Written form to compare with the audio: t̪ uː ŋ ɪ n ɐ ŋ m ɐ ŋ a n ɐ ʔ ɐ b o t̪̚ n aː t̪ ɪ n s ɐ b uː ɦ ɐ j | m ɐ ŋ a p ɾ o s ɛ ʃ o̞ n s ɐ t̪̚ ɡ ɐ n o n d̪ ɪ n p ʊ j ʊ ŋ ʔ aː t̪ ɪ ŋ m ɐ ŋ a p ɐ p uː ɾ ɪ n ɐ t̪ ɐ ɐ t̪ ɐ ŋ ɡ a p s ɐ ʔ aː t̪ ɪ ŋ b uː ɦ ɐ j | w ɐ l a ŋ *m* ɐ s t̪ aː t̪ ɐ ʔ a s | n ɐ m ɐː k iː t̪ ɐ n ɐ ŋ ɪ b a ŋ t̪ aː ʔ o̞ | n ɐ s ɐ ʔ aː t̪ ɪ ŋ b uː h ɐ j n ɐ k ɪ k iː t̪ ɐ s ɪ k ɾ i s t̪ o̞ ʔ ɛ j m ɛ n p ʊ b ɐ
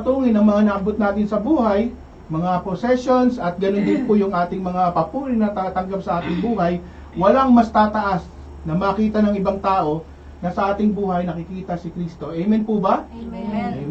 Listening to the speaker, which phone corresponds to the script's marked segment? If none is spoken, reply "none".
m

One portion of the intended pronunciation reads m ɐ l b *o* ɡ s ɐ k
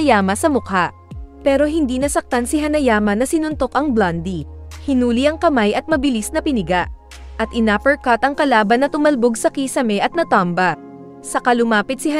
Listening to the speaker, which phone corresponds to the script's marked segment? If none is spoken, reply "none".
o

